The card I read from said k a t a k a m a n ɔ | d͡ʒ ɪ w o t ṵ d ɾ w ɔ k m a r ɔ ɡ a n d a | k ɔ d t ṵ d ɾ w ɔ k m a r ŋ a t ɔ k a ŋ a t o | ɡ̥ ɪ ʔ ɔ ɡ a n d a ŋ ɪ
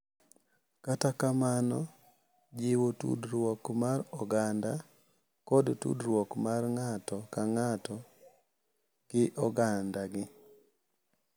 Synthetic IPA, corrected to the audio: k a t a k a m a n ɔ | d͡ʒ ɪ w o t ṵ d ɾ w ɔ k m a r ɔ ɡ a n d a | k ɔ d t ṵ d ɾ w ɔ k m a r ŋ a t ɔ k a ŋ a t ɔ | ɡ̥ ɪ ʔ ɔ ɡ a n d a ɡ ɪ